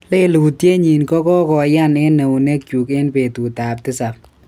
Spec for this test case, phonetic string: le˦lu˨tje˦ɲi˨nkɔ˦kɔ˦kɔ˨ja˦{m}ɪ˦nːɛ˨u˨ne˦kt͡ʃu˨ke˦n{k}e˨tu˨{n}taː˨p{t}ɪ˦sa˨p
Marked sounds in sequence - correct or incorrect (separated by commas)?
incorrect, incorrect, incorrect, correct